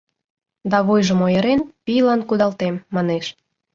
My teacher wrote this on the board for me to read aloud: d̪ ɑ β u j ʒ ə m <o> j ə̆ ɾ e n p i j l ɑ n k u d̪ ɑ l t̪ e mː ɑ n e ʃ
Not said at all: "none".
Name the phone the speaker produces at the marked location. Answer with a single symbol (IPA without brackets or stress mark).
o